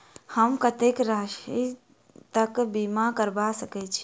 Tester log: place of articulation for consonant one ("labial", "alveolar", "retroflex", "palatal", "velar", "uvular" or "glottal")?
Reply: glottal